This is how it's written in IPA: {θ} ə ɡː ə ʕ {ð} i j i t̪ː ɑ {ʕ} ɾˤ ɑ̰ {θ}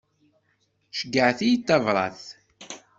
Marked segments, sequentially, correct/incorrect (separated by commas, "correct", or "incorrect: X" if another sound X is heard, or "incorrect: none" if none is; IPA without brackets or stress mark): incorrect: ʃ, incorrect: θ, incorrect: v, correct